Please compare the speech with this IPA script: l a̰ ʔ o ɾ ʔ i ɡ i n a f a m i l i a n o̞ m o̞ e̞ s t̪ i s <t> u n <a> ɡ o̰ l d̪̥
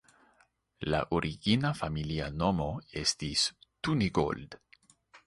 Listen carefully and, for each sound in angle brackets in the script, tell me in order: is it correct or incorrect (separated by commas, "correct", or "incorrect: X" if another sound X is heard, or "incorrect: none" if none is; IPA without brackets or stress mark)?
correct, incorrect: i